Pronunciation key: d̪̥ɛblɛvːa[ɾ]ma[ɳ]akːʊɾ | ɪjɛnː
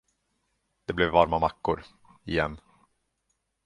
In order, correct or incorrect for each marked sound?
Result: correct, incorrect: m

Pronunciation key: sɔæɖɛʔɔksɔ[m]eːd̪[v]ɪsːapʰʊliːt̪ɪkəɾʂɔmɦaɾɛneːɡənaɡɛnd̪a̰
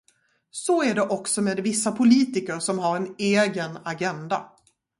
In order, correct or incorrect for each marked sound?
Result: correct, correct

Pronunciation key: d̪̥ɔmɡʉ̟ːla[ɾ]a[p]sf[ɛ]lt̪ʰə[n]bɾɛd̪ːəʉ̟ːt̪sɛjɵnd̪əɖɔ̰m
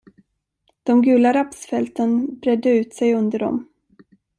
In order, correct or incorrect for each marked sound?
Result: correct, correct, correct, correct

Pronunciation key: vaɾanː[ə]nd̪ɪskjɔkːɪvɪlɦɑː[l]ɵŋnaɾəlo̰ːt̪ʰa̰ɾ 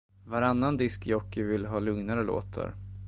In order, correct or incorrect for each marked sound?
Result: incorrect: a, correct

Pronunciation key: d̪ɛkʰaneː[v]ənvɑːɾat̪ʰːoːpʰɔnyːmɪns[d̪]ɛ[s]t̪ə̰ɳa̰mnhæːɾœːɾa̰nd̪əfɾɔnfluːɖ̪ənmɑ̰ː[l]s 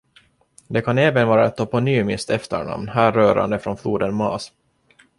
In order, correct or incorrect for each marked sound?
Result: correct, incorrect: t̪, incorrect: f, incorrect: none

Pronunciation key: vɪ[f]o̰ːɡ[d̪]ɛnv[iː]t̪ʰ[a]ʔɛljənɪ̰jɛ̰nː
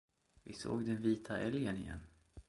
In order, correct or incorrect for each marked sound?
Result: incorrect: s, correct, correct, correct

